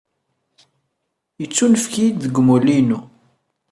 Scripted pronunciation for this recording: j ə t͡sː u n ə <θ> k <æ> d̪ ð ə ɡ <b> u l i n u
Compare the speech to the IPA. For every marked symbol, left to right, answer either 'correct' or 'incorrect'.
incorrect: f, incorrect: i, incorrect: m

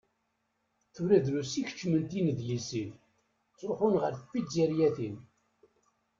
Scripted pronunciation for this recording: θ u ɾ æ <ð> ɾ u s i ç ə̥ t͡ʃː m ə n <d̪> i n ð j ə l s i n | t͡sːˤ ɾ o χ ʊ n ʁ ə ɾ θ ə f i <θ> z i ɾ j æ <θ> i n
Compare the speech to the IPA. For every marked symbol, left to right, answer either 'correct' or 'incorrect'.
correct, incorrect: t̪, incorrect: none, correct

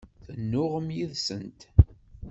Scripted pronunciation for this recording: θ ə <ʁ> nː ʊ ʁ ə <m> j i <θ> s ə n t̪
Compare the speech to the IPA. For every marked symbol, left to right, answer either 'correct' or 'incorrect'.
incorrect: none, correct, incorrect: ð

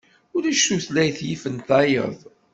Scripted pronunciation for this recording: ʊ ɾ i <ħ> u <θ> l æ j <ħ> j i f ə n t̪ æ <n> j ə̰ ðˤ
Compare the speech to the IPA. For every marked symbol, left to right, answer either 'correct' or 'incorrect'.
incorrect: ʃ, correct, incorrect: θ, incorrect: none

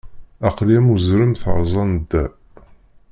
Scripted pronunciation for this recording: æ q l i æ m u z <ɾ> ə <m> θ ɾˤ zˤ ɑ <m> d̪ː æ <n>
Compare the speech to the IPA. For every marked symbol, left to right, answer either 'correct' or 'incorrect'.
correct, correct, incorrect: n, incorrect: none

